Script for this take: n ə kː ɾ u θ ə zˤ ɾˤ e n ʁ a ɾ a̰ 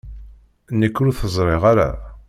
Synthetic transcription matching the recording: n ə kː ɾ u θ ə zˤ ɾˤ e ʁ a ɾ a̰